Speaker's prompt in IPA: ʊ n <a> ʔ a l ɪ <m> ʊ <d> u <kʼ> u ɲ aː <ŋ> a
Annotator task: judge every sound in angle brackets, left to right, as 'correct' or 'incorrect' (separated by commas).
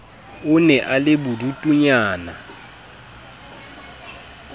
incorrect, incorrect, correct, incorrect, incorrect